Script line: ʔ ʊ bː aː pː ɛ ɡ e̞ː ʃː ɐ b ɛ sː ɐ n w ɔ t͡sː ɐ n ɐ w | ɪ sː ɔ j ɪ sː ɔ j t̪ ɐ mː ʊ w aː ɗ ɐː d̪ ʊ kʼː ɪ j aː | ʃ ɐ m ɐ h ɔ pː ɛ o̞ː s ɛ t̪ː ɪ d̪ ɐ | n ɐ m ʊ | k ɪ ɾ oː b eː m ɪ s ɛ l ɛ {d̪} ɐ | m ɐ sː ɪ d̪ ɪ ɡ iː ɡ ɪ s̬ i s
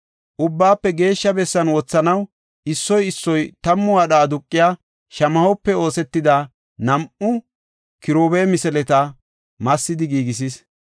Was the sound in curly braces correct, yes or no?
no